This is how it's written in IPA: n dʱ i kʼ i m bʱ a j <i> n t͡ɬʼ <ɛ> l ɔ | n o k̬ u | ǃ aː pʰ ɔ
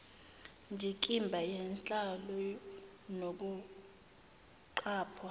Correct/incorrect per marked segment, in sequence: incorrect: ɛ, incorrect: a

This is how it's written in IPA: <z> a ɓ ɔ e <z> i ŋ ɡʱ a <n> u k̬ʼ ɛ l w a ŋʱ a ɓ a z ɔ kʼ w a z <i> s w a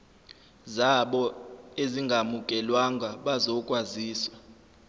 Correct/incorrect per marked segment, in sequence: correct, correct, incorrect: m, incorrect: iː

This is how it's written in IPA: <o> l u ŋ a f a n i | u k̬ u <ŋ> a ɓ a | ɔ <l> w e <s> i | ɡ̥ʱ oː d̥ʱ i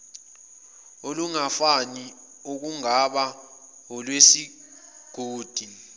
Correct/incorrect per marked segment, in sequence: correct, correct, correct, correct

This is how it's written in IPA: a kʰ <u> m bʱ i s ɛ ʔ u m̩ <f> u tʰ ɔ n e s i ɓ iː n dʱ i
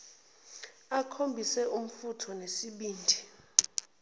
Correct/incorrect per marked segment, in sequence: incorrect: o, correct

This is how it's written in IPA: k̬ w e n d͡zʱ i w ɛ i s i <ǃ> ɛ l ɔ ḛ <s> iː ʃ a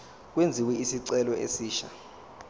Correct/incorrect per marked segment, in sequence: incorrect: ǀ, correct

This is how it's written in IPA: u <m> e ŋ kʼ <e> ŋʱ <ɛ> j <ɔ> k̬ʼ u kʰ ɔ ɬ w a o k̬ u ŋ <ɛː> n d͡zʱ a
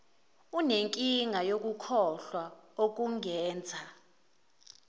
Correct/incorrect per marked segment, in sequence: incorrect: n, incorrect: i, incorrect: a, incorrect: o, correct

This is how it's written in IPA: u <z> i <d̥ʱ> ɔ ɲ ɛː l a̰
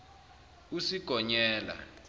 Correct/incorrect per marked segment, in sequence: incorrect: s, incorrect: ɡ̥ʱ

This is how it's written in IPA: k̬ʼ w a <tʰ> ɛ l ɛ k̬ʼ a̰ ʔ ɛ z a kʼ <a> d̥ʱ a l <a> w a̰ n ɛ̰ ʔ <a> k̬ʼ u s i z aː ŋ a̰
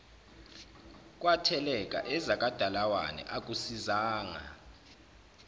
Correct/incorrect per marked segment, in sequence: correct, correct, correct, correct

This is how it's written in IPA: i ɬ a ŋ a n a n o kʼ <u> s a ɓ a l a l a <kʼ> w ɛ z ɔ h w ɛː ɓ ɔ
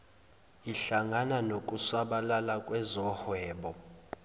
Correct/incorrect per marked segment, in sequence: correct, correct

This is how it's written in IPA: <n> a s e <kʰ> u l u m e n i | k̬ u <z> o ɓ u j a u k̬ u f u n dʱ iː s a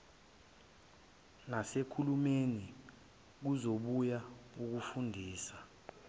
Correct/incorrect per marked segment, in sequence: correct, correct, correct

